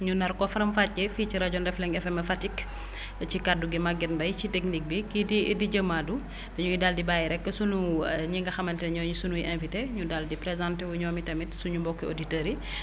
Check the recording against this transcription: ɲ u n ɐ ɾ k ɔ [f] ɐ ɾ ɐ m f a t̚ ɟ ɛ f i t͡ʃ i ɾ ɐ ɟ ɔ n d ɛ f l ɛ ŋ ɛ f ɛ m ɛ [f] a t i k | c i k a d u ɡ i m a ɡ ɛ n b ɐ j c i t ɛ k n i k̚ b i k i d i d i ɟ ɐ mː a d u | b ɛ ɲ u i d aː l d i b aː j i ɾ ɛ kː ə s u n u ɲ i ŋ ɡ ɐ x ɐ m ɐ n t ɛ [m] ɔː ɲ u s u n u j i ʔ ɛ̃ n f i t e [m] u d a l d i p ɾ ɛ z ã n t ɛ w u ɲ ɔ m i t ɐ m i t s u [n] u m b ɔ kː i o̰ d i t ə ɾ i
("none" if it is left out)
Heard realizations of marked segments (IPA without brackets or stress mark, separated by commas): f, f, ɲ, ɲ, ɲ